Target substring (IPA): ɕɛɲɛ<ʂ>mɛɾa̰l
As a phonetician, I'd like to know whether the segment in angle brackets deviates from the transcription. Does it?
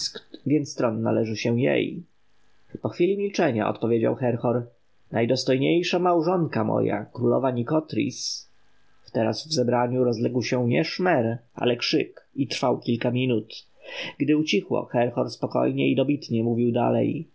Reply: no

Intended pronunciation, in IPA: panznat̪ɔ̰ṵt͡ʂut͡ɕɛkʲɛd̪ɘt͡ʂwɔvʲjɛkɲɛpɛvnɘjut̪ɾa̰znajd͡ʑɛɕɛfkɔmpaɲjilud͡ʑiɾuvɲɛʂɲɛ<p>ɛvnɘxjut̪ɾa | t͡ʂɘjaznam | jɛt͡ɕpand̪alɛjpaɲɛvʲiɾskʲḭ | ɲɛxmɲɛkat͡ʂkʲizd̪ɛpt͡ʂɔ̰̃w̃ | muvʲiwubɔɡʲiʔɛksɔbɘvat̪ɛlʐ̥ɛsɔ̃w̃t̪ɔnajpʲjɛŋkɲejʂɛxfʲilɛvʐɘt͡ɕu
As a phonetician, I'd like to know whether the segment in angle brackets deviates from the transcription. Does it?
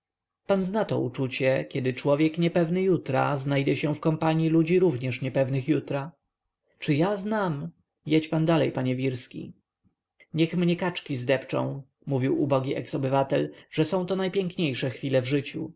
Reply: no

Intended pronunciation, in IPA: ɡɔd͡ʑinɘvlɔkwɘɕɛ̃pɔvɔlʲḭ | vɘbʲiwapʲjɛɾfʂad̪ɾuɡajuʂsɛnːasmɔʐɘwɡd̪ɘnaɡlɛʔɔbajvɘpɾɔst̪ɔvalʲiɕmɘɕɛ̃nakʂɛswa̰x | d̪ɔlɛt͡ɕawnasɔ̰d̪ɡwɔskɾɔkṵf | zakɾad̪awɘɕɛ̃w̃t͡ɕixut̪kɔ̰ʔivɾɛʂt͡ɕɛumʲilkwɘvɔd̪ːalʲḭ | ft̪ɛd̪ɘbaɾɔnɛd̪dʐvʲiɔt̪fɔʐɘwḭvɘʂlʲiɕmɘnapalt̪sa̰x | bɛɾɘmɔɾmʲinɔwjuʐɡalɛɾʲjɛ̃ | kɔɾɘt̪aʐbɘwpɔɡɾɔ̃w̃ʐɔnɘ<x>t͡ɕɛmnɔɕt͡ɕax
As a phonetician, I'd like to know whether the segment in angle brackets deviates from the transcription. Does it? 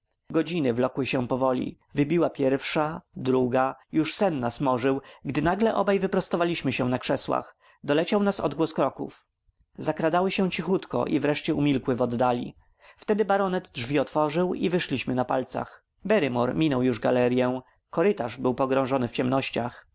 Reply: yes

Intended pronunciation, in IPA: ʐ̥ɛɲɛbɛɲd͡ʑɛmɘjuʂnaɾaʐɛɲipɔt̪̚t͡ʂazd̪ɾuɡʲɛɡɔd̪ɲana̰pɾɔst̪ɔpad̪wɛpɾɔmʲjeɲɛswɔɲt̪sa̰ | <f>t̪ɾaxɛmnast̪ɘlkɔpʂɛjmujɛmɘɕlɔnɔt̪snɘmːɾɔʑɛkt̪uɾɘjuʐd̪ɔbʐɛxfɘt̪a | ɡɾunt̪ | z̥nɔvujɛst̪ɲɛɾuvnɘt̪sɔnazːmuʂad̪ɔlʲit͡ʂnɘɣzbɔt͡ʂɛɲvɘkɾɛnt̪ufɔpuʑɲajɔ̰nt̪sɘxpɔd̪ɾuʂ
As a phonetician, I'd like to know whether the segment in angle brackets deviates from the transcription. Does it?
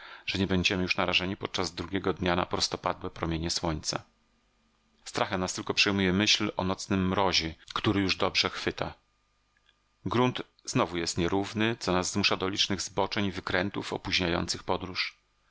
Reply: yes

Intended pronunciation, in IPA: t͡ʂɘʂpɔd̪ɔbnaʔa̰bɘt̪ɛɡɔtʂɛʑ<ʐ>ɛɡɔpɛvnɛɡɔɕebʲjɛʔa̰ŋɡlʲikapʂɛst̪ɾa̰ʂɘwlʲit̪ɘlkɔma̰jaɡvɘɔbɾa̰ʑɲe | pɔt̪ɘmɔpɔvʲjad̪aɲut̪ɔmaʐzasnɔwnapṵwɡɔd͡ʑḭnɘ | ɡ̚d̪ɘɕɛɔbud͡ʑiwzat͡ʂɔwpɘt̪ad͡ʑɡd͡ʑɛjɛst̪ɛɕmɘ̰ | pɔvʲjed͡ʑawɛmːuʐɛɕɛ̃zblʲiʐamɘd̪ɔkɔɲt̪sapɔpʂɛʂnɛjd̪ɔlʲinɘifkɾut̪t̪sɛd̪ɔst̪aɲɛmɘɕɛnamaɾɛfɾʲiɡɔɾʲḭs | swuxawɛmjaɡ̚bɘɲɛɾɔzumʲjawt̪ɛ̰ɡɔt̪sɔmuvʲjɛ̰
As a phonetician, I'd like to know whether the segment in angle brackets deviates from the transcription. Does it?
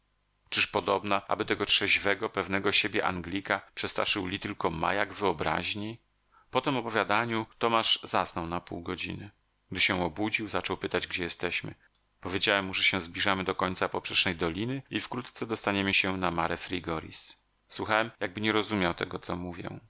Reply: yes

